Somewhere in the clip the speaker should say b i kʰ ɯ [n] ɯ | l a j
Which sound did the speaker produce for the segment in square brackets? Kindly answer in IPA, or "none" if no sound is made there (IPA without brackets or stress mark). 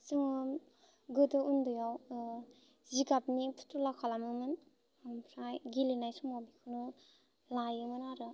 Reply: n